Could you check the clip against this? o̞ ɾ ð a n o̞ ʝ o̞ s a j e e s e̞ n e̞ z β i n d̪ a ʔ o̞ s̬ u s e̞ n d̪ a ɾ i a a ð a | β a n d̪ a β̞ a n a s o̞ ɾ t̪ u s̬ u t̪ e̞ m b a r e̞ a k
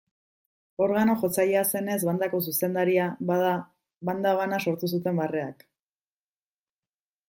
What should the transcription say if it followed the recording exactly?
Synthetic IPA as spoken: o̞ ɾ ɣ a n o̞ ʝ o̞ t͡s a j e a s e̞ n e̞ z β a n d̪ a k o̞ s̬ u s e̞ n d̪ a ɾ i a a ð a | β a n d̪ a β̞ a n a s o̞ ɾ t̪ u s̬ u t̪ e̞ m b a r e̞ a k

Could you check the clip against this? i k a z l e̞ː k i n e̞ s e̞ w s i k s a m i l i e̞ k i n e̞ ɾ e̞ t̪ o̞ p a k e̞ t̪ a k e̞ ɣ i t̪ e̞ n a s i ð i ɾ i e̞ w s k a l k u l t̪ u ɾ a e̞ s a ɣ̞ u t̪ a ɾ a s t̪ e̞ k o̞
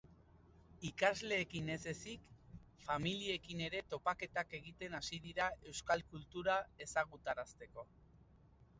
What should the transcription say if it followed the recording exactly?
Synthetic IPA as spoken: i k a z l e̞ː k i n e̞ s e̞ s i k f a m i l i e̞ k i n e̞ ɾ e̞ t̪ o̞ p a k e̞ t̪ a k e̞ ɣ i t̪ e̞ n a s i ð i ɾ a e̞ w s k a l k u l t̪ u ɾ a e̞ s a ɣ̞ u t̪ a ɾ a s t̪ e̞ k o̞

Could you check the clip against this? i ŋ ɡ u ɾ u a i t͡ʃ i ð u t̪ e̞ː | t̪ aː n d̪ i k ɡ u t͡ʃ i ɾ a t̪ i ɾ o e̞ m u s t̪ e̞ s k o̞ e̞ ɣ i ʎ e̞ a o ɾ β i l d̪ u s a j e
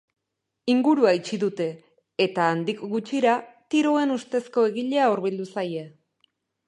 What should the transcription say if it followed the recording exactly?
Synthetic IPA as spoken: i ŋ ɡ u ɾ u a i t͡ʃ i ð u t̪ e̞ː | t̪ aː n d̪ i k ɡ u t͡ʃ i ɾ a t̪ i ɾ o e̞ n u s t̪ e̞ s k o̞ e̞ ɣ i ʎ e̞ a u ɾ β i l d̪ u s a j e

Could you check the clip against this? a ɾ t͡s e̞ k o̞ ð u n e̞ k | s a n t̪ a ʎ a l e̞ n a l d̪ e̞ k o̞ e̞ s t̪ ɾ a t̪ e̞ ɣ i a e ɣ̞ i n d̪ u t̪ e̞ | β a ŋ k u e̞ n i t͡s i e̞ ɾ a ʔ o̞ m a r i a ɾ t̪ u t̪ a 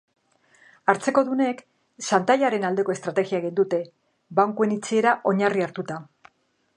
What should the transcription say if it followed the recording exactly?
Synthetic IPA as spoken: a ɾ t͡s e̞ k o̞ ð u n e̞ k | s a n t̪ a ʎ a ɾ e̞ n a l d̪ e̞ k o̞ e̞ s t̪ ɾ a t̪ e̞ ɣ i a e ɣ̞ i n d̪ u t̪ e̞ | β a ŋ k u e̞ n i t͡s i e̞ ɾ a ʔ o̞ ɲ a r i a ɾ t̪ u t̪ a

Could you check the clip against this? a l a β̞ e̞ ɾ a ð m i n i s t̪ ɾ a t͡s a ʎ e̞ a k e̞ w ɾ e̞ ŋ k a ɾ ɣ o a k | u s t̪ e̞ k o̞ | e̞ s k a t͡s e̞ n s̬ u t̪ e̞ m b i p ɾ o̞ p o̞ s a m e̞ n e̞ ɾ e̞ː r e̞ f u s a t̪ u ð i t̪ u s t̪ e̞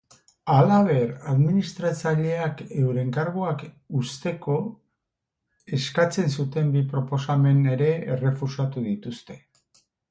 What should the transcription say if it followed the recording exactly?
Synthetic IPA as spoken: a l a β̞ e̞ ɾ a ð m i n i s t̪ ɾ a t͡s a ʎ e̞ a k e̞ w ɾ e̞ ŋ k a ɾ ɣ o a k | u s t̪ e̞ k o̞ | e̞ s k a t͡s e̞ n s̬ u t̪ e̞ m b i p ɾ o̞ p o̞ s a m e̞ n e̞ ɾ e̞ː r e̞ f u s a t̪ u ð i t̪ u s t̪ e̞

